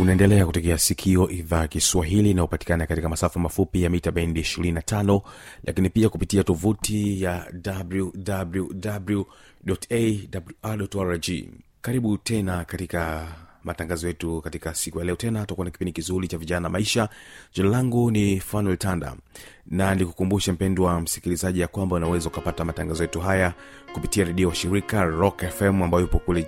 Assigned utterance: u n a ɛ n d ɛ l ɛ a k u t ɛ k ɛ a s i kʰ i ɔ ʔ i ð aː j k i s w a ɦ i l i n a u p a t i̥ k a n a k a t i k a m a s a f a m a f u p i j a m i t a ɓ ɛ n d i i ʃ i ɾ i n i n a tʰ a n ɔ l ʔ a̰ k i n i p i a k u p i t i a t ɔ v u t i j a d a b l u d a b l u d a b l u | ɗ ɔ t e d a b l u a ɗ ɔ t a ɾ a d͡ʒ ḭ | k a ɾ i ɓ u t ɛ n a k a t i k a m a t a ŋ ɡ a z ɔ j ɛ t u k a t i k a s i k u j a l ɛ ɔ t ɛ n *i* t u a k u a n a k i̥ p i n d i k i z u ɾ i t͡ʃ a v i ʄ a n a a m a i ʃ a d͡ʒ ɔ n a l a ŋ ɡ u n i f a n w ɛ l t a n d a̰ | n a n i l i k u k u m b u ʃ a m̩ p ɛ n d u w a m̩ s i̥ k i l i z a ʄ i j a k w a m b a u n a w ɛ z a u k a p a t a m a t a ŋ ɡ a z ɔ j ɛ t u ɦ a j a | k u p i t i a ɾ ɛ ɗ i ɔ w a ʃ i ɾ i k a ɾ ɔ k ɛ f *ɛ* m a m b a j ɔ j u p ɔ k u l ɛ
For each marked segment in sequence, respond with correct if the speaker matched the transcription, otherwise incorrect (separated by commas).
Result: incorrect, correct